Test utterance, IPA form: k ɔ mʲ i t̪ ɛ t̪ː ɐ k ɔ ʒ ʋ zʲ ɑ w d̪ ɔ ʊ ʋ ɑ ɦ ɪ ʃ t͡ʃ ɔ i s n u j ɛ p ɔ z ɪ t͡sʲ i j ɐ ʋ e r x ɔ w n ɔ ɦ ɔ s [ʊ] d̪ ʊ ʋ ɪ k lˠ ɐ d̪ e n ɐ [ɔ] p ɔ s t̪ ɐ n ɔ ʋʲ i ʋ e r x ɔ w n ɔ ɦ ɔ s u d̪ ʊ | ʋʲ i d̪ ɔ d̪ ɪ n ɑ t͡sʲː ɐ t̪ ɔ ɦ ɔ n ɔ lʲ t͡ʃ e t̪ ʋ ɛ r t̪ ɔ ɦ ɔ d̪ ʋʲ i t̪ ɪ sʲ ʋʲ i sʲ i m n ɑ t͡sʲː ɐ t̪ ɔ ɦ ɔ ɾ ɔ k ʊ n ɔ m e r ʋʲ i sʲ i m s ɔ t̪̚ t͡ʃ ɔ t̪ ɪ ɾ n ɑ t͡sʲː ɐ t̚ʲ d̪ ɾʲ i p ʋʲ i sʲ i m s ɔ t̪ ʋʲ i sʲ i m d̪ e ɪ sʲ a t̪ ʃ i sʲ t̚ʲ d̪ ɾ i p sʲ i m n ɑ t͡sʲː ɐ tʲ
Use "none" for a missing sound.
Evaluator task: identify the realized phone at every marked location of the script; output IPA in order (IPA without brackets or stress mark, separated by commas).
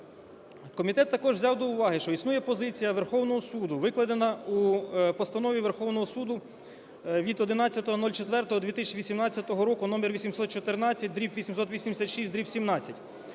u, u